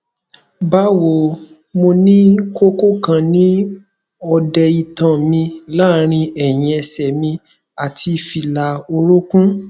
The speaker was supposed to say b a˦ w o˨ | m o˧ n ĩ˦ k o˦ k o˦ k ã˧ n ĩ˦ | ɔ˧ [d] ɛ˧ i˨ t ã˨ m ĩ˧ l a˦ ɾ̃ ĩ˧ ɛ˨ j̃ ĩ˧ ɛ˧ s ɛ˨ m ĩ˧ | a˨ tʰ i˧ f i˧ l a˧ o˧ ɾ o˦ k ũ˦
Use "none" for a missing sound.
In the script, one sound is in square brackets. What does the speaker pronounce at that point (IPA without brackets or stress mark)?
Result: d